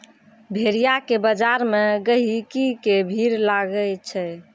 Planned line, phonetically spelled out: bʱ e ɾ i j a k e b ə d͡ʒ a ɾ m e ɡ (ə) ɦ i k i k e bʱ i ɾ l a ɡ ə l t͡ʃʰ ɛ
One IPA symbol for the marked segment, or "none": ə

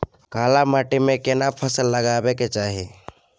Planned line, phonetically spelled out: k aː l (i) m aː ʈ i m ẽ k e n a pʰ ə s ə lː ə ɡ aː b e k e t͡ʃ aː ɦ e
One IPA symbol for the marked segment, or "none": a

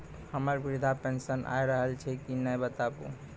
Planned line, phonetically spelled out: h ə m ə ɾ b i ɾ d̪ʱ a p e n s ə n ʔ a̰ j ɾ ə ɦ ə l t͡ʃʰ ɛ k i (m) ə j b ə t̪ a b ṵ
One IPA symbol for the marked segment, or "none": n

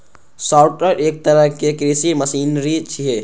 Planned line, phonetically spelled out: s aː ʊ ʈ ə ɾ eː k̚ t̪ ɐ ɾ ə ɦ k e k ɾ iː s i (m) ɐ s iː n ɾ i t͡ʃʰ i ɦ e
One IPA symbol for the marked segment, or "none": m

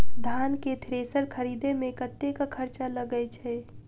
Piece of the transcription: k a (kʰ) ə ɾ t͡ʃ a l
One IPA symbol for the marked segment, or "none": kʰ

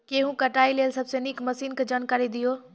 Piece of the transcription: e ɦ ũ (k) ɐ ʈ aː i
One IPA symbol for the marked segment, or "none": k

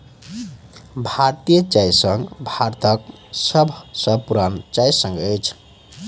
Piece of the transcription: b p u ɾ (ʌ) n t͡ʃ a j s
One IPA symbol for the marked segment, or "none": a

